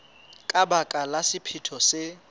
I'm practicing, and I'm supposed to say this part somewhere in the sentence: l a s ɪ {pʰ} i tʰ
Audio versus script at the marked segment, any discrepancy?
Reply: no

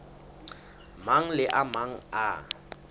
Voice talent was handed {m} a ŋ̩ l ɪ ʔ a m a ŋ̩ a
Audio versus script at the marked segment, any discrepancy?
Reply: no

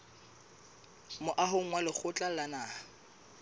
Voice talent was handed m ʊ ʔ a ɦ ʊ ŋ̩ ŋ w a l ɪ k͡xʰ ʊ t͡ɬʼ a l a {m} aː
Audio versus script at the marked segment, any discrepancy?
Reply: yes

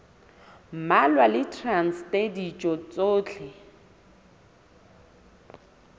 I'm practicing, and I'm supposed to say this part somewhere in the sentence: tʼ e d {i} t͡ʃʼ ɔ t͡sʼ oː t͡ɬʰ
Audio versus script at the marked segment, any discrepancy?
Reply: no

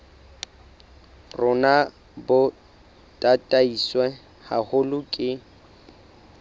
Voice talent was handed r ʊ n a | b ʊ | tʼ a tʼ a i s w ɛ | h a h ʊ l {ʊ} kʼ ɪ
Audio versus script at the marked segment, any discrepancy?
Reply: no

